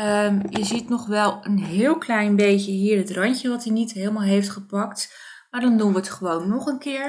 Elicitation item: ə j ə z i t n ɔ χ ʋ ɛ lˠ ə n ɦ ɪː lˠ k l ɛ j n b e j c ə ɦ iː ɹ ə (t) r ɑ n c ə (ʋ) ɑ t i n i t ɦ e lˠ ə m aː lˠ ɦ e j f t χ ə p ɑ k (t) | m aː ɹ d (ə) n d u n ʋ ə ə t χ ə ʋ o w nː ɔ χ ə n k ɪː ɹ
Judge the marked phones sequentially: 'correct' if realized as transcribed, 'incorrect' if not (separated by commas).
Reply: correct, correct, correct, incorrect